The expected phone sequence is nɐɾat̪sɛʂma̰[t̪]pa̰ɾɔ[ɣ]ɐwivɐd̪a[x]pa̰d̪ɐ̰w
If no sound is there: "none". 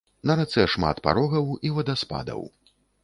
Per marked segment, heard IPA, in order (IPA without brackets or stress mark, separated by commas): t̪, ɣ, s